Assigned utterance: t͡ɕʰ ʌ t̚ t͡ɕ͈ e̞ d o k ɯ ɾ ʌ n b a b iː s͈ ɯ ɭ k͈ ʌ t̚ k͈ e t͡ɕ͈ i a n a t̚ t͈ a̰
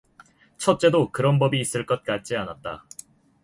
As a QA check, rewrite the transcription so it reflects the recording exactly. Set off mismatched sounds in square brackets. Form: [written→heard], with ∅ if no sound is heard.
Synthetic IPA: t͡ɕʰ ʌ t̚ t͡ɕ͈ e̞ d o k ɯ ɾ ʌ n b [a→ʌ] b iː s͈ ɯ ɭ k͈ ʌ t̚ k͈ [e→a] t͡ɕ͈ i a n a t̚ t͈ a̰